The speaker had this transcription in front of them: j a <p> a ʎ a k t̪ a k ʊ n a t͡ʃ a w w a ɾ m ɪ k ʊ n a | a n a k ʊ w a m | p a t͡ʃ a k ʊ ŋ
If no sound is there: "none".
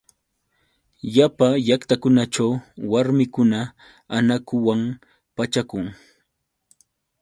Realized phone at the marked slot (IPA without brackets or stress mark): p